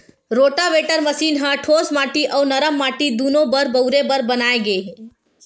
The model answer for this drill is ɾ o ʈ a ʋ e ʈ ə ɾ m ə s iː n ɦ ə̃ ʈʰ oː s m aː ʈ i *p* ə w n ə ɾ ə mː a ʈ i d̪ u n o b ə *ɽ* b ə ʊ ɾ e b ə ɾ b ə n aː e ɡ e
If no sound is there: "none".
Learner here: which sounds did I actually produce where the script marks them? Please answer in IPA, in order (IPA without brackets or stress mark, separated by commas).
ʔ, ɾ